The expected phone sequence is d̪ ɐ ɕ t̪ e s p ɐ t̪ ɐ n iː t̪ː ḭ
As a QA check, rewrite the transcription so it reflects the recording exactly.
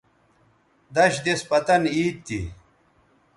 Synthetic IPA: d̪ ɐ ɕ d̪ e s p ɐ t̪ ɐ n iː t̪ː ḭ